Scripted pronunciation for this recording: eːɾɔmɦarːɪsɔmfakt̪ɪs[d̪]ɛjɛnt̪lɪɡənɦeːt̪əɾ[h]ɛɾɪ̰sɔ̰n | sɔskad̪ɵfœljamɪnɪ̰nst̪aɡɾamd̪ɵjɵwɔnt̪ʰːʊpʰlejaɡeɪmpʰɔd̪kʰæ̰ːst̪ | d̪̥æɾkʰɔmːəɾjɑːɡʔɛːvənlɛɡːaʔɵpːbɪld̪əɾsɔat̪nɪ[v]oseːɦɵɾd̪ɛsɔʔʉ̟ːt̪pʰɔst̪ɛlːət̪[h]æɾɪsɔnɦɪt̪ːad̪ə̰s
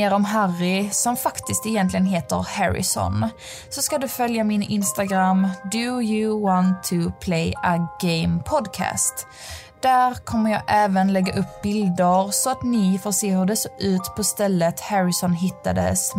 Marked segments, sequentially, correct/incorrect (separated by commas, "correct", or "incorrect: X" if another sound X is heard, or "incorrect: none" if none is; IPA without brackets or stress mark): incorrect: t̪, correct, incorrect: f, correct